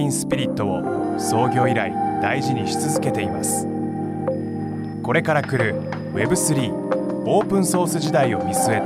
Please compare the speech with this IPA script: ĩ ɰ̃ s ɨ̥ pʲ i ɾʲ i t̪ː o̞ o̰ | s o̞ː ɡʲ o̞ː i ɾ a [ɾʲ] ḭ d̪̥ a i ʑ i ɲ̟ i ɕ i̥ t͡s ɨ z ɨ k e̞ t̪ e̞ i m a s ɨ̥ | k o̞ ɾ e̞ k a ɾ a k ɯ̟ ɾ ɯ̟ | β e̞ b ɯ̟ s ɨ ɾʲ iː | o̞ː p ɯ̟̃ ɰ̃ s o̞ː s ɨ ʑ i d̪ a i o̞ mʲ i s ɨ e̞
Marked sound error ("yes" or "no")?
yes